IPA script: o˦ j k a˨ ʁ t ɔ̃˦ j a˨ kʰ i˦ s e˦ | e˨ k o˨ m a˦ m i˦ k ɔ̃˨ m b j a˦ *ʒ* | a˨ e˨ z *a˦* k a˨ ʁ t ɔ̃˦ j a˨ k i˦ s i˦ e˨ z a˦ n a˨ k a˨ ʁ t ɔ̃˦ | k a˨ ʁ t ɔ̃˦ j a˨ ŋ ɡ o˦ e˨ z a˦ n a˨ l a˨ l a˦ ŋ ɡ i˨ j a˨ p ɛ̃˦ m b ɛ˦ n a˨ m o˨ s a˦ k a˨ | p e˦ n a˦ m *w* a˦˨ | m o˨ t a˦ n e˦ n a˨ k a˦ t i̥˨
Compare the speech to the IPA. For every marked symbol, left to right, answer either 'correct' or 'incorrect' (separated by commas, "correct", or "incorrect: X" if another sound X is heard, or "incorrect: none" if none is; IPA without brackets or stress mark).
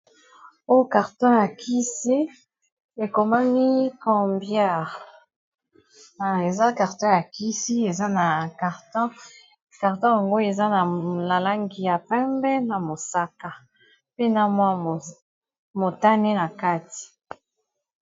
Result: incorrect: ʁ, correct, correct